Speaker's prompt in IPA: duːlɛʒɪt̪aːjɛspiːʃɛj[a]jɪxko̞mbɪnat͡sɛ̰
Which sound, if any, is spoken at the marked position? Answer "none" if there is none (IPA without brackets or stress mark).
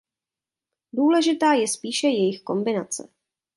ɛ